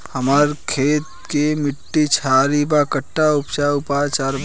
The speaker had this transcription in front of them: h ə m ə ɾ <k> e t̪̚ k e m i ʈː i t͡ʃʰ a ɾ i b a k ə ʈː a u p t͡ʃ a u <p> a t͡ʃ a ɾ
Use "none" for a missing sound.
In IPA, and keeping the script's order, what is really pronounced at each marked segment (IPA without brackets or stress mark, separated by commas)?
kʰ, p